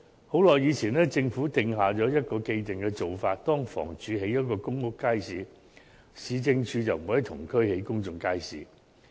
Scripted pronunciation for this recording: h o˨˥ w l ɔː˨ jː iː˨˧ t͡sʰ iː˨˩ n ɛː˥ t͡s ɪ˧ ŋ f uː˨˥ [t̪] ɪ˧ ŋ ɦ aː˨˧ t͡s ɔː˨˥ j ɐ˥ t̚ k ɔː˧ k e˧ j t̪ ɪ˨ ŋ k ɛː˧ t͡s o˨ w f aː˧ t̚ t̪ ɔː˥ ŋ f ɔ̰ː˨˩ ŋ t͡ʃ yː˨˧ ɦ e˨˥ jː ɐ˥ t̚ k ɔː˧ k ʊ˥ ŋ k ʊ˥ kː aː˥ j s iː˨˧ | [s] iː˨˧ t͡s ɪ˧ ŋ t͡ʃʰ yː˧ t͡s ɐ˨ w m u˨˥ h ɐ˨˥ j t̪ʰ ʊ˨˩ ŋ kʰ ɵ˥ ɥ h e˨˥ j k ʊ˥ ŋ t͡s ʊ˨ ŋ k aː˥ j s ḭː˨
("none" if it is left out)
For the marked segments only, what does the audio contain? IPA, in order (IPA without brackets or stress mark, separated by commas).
t̪, s